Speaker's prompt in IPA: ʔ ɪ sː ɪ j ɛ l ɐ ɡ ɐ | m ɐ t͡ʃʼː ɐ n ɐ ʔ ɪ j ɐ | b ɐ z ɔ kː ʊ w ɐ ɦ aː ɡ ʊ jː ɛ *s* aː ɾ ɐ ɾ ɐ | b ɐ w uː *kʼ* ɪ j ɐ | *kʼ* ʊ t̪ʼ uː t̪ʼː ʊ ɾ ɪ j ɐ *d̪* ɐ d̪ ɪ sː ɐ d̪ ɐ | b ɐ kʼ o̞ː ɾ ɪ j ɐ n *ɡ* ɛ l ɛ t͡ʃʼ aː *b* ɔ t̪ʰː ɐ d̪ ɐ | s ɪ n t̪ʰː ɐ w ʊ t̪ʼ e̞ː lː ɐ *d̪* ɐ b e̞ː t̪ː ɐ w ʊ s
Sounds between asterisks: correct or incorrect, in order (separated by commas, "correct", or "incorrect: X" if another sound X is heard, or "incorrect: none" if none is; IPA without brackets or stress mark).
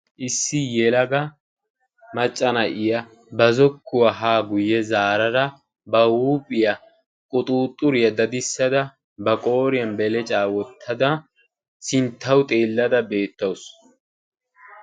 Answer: incorrect: z, incorrect: pʼ, correct, correct, incorrect: b, incorrect: w, correct